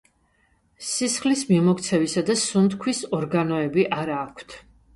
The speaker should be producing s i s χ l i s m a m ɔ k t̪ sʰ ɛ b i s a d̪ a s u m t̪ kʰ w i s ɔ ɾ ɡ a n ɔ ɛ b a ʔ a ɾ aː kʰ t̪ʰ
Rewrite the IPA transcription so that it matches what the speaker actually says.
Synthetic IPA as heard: s i s χ l i s m i m ɔ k t̪ sʰ ɛ v i s a d̪ a s u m t̪ kʰ w i s ɔ ɾ ɡ a n ɔ ɛ b i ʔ a ɾ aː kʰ t̪ʰ